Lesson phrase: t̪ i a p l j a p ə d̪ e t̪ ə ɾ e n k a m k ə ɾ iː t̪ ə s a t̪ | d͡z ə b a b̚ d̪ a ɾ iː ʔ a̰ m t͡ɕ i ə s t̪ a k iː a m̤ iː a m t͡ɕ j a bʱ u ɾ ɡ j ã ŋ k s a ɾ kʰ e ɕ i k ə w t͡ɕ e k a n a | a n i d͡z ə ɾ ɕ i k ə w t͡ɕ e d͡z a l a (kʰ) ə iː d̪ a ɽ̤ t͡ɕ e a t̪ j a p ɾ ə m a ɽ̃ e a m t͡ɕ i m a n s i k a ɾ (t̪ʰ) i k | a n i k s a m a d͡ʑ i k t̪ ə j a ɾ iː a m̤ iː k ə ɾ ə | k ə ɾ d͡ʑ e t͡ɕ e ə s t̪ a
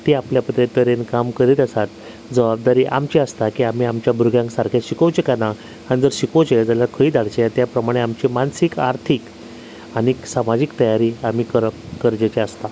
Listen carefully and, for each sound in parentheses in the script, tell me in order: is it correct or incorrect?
correct, correct

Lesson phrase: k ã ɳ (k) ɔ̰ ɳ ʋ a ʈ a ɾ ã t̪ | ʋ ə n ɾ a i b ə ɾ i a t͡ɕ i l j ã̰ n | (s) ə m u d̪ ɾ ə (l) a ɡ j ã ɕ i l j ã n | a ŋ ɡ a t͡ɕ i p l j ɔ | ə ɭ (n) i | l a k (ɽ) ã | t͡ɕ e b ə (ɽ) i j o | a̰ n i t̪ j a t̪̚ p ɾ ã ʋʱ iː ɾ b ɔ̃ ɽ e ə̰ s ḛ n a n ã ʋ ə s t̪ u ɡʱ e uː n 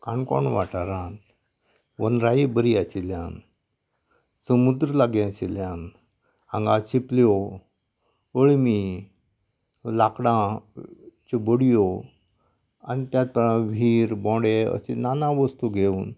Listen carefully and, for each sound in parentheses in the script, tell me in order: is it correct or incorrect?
correct, correct, correct, incorrect: m, correct, correct

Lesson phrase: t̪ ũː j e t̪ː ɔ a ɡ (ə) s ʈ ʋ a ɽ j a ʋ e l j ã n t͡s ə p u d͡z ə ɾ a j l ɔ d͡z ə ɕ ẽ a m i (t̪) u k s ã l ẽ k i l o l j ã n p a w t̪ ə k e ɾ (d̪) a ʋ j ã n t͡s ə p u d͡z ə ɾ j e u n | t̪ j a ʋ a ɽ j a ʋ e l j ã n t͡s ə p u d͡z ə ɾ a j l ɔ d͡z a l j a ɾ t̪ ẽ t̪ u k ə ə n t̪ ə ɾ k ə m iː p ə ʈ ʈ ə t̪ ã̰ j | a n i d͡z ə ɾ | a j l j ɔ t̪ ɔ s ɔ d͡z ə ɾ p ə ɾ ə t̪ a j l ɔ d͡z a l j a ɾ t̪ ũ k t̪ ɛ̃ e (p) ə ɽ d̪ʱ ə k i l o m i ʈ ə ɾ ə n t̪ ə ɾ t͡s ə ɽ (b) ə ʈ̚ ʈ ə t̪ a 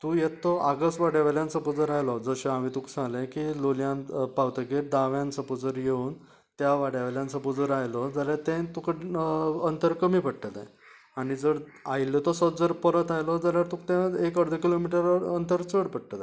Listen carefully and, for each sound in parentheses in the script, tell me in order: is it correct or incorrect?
correct, correct, correct, incorrect: k, incorrect: p

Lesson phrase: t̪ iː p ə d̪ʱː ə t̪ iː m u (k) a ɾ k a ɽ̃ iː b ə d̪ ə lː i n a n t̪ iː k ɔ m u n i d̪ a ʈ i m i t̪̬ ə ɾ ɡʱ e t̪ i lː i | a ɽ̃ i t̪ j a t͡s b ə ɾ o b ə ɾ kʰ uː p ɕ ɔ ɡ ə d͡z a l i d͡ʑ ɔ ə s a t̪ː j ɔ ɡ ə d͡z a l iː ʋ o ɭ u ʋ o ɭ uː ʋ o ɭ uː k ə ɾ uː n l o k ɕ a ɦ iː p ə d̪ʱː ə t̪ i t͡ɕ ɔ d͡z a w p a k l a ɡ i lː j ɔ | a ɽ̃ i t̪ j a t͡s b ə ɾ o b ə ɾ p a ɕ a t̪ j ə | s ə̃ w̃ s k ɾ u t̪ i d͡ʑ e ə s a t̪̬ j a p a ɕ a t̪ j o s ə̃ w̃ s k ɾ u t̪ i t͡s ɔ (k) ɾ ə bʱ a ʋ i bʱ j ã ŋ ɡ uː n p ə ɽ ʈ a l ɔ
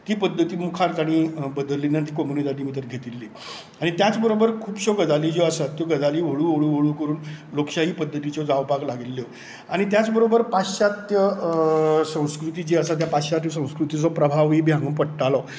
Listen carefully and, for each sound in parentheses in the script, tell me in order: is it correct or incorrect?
incorrect: kʰ, incorrect: p

